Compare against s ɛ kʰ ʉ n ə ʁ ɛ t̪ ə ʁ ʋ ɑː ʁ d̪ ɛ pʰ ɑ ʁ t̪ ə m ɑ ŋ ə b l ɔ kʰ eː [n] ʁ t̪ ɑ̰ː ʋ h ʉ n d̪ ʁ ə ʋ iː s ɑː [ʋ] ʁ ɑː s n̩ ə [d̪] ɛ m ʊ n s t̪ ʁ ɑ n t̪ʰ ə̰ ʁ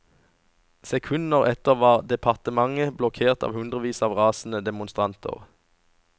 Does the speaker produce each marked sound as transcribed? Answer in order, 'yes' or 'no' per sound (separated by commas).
no, yes, yes